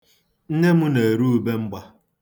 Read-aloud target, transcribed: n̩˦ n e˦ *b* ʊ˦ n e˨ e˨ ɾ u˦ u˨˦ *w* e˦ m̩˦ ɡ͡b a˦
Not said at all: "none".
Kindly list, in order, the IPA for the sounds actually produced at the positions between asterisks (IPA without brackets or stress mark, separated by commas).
m, b